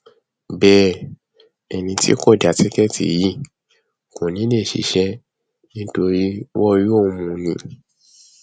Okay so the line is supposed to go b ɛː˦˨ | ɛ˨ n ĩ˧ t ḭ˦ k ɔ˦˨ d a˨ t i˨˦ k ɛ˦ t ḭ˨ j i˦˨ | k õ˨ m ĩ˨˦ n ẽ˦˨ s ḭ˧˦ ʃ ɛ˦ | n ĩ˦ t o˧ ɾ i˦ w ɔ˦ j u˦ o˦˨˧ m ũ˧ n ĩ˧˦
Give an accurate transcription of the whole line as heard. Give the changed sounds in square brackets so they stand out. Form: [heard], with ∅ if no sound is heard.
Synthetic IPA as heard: b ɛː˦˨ | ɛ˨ n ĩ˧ t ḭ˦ k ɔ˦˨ d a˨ t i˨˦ k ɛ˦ t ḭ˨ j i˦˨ | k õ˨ [n] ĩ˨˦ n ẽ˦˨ [ʃ] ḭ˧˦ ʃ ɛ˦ | n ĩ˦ t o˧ ɾ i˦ w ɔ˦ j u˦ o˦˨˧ m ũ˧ n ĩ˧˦